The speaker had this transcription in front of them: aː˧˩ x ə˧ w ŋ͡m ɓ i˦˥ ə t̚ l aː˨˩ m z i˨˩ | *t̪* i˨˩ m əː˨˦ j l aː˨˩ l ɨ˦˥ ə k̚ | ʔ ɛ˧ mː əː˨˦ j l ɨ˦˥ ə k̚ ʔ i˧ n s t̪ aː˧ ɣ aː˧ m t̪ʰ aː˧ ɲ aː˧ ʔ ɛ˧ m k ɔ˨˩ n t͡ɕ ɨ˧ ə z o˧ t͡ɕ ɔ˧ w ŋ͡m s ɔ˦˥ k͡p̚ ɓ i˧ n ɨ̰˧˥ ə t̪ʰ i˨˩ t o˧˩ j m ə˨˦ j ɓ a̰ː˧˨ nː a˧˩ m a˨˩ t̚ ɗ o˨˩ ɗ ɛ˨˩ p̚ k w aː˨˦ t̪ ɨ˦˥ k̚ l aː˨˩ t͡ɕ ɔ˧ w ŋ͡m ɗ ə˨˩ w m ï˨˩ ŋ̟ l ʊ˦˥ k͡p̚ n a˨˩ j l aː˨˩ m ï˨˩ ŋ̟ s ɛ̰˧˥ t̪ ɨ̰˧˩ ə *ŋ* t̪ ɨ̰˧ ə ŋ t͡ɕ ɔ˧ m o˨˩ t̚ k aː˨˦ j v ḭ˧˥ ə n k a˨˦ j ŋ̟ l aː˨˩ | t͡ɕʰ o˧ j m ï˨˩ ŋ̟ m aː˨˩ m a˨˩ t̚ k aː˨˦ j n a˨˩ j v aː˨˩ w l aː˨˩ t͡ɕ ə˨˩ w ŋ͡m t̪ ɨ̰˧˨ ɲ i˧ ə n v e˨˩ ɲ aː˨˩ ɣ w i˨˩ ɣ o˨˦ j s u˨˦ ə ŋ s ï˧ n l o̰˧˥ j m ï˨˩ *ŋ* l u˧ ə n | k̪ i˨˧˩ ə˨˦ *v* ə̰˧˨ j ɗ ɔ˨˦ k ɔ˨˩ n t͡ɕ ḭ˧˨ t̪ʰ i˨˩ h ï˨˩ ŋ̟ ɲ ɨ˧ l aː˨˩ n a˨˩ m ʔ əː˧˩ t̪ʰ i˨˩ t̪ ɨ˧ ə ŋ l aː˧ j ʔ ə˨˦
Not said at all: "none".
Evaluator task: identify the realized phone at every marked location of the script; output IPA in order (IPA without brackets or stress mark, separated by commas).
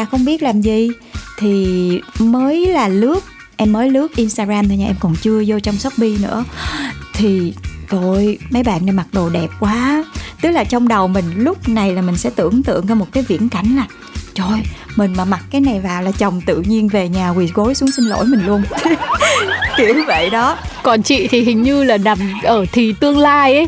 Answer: t̪ʰ, ŋ, ŋ, v